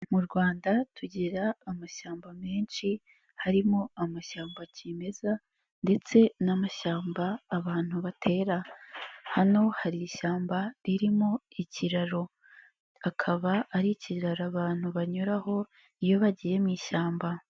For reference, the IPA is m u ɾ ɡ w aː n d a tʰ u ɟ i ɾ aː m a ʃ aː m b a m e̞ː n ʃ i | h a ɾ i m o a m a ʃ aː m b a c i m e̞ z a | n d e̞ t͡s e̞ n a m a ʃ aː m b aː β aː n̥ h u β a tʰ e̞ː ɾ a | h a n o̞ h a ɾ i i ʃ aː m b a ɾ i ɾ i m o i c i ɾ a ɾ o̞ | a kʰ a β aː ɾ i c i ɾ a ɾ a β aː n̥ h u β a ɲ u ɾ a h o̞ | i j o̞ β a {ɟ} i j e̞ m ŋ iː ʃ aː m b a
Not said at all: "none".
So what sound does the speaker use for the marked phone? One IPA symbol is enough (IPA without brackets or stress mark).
ɟ